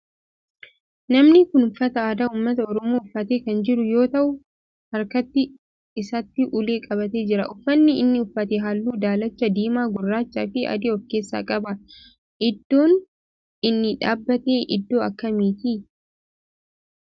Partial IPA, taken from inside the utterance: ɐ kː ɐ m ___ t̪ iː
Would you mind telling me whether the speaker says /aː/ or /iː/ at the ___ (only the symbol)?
iː